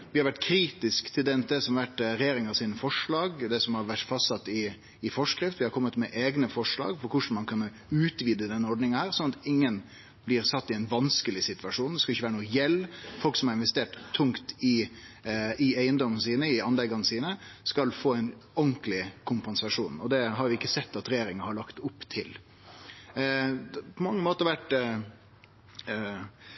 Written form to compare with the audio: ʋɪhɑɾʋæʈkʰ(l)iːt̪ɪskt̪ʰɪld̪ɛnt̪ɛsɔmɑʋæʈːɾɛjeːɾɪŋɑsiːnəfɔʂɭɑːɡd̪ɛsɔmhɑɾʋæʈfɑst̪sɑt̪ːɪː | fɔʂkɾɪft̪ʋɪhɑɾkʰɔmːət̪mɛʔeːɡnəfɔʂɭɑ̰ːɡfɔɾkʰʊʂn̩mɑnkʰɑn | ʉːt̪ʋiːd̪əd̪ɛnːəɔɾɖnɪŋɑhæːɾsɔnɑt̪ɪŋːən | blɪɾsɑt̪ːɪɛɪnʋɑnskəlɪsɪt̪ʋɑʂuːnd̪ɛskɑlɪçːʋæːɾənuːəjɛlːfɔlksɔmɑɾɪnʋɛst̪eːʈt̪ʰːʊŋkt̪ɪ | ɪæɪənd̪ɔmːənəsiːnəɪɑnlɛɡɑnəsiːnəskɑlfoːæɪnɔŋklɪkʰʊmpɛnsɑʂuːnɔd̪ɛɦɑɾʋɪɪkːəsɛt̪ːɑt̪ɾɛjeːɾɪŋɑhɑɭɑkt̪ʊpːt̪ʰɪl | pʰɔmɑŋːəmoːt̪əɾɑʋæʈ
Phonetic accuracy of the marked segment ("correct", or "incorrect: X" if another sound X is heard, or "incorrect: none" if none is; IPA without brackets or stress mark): incorrect: ɾ